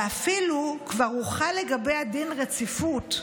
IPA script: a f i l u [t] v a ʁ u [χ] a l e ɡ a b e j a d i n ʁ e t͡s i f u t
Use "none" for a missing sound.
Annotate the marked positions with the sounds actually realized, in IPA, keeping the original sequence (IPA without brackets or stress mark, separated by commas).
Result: k, χ